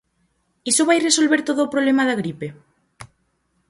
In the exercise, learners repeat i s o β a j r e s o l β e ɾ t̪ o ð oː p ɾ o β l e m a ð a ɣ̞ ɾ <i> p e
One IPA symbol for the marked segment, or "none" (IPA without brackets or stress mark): i